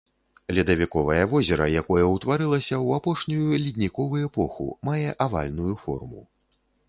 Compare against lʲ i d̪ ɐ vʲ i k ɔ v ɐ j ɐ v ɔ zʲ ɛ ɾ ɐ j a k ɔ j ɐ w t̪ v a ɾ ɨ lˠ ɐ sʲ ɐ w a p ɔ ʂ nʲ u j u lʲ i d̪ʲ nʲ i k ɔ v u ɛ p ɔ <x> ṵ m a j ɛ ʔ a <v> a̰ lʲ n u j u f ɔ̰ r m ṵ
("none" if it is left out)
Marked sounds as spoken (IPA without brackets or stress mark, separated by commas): x, v